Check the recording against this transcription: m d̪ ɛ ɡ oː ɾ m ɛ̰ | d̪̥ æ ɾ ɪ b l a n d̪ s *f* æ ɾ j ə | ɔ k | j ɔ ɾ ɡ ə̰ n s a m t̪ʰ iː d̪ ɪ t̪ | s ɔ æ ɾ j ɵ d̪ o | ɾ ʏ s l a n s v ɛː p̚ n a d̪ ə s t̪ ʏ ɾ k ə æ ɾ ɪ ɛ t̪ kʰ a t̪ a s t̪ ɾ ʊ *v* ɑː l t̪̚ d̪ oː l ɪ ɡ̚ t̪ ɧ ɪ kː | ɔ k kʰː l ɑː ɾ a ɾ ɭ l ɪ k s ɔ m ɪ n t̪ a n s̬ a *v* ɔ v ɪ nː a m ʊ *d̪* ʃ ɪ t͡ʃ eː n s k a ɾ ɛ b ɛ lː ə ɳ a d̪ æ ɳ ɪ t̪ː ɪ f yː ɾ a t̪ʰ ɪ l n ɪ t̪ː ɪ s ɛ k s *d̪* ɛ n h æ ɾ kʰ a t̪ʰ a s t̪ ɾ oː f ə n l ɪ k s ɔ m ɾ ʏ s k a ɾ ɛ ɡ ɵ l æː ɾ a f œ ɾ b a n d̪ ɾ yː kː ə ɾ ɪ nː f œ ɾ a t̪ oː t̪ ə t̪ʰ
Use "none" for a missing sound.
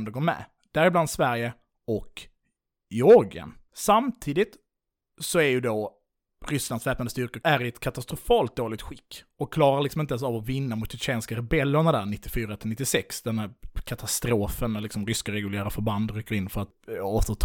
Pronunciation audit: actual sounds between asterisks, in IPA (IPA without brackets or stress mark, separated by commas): v, f, v, t̪, d̪